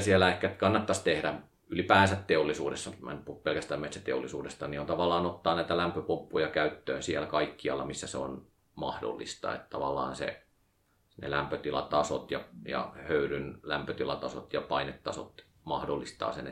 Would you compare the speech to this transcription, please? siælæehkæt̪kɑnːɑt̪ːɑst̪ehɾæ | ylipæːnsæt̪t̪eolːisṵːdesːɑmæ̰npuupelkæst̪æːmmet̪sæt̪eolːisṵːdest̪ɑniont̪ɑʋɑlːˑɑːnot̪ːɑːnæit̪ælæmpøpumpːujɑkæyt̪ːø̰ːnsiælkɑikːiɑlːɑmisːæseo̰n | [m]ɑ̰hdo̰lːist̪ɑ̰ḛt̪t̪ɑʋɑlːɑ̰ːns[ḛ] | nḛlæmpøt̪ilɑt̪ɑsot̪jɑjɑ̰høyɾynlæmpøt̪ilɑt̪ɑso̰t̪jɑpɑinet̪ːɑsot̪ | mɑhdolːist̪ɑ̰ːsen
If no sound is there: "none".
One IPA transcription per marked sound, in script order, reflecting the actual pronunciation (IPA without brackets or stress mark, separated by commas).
m, ḛ